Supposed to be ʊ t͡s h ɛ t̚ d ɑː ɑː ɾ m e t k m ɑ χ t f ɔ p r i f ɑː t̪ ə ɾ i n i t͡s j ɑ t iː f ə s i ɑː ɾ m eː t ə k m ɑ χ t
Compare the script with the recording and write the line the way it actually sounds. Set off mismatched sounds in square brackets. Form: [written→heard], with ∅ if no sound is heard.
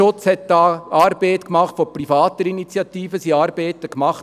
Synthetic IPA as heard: ʊ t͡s h ɛ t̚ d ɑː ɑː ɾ [m→b] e t k m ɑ χ t f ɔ p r i f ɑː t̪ ə ɾ i n i t͡s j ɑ t iː f ə s i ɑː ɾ [m→b] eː t ə k m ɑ χ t